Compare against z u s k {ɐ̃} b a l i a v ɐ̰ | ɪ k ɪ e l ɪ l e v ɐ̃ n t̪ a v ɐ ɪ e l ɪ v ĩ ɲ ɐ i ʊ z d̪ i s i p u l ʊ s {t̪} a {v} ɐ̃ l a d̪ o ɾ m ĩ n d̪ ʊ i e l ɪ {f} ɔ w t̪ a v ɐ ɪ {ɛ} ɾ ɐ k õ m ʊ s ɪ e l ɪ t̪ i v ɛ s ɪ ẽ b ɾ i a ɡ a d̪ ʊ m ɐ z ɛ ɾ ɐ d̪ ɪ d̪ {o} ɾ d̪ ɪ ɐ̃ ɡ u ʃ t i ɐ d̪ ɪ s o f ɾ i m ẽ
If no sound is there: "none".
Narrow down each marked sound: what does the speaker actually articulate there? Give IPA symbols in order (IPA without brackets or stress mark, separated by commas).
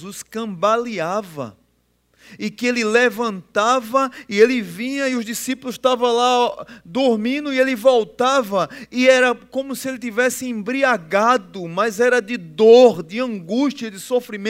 ɐ̃, t̪, v, v, ɛ, o